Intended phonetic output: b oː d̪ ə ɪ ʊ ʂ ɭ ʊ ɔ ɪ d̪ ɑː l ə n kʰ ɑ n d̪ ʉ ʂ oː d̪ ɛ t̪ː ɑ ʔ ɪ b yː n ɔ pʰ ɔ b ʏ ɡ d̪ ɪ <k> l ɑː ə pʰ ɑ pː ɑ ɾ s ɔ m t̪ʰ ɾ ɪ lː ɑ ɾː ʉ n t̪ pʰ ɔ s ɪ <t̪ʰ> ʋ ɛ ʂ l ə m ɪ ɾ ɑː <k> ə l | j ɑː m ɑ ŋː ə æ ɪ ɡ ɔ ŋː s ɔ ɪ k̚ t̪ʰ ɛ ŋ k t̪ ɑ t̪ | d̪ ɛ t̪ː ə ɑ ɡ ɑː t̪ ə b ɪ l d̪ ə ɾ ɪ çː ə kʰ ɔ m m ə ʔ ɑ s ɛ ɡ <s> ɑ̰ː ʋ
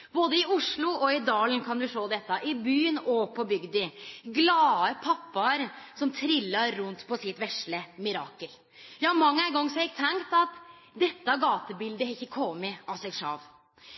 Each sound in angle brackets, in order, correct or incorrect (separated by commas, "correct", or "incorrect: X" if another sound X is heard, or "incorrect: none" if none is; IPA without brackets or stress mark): incorrect: ɡ, incorrect: t̪, correct, incorrect: ʂ